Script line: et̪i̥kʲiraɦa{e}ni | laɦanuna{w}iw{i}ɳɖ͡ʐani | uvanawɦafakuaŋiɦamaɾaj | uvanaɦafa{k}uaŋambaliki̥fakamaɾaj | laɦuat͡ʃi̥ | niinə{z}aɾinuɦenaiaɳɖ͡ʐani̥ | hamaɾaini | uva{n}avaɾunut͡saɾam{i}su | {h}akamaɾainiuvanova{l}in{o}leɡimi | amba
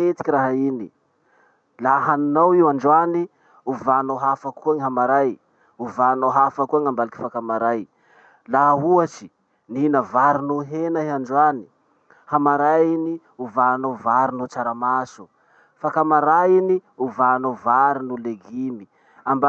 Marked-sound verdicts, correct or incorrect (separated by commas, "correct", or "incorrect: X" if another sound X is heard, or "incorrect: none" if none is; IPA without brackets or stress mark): incorrect: i, correct, incorrect: a, correct, incorrect: v, correct, incorrect: a, incorrect: f, incorrect: ɾ, incorrect: u